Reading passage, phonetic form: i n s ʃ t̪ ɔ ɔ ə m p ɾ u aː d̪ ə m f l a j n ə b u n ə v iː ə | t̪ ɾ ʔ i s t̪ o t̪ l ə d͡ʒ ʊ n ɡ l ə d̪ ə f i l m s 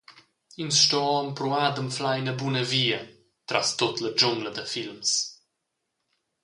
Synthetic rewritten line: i n s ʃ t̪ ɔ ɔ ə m p ɾ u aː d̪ ə m f l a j n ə b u n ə v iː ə | t̪ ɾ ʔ a s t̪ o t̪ l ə d͡ʒ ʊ ŋ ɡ l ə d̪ ə f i l m s

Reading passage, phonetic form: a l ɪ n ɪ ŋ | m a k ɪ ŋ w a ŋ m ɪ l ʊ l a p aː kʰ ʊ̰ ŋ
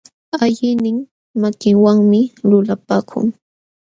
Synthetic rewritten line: a ʎ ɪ n ɪ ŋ | m a k ɪ ŋ w a ŋ m ɪ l ʊ l a p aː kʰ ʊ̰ ŋ

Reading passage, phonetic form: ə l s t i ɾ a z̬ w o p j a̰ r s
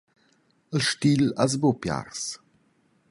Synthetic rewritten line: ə l ʃ t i l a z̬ b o p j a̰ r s

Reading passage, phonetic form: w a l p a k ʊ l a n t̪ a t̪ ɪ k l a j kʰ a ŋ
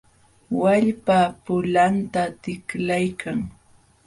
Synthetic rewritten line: w a ʎ p a p ʊ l a n t̪ a t̪ ɪ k l a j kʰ a ŋ

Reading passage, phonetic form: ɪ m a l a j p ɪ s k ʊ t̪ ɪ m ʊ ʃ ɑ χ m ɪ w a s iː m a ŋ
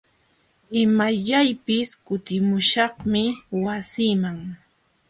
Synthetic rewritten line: ɪ m a ʎ a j p ɪ s k ʊ t̪ ɪ m ʊ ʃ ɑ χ m ɪ w a s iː m a ŋ

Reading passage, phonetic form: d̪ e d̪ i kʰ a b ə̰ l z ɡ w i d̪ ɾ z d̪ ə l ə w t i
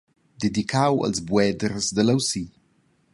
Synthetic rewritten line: d̪ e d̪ i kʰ a w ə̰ l z b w ɛ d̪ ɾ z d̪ ə l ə w s i

